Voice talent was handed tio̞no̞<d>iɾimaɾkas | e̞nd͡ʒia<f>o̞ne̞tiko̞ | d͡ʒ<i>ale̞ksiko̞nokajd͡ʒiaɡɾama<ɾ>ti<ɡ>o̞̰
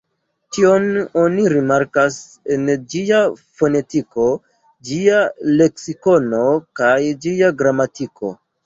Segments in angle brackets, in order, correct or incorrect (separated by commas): incorrect, correct, correct, incorrect, incorrect